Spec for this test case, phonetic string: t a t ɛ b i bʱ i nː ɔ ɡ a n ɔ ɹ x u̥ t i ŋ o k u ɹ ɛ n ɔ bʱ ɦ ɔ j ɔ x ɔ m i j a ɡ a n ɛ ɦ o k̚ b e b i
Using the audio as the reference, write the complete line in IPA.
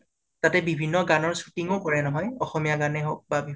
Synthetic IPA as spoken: t a t ɛ b i bʱ i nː ɔ ɡ a n ɔ ɹ s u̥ t i ŋ o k ɔ ɹ ɛ n ɔ ɦ ɔ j ɔ x ɔ m i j a ɡ a n ɛ ɦ o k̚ b a b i